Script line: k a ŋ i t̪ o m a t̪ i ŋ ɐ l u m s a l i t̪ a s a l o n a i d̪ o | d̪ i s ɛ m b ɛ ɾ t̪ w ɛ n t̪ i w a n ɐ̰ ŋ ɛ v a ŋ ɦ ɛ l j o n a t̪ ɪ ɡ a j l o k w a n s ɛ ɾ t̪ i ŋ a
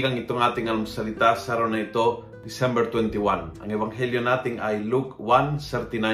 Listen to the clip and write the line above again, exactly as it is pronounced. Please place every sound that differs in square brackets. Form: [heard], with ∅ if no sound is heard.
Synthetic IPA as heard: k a ŋ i t̪ o [ŋ] a t̪ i ŋ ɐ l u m s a l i t̪ a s a [ɾ] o n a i [t̪] o | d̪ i s ɛ m b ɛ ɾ t̪ w ɛ n t̪ i w a n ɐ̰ ŋ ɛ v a ŋ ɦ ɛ l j o n a t̪ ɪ [ŋ] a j l [u] k w a n s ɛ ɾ t̪ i [n] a